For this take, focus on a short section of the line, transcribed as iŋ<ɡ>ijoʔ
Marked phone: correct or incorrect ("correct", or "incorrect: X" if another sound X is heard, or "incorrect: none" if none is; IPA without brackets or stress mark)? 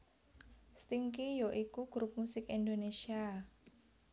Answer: incorrect: k